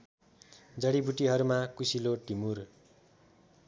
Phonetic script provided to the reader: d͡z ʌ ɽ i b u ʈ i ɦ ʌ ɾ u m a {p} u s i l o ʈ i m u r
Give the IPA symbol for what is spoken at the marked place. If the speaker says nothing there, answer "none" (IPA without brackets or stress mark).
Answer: k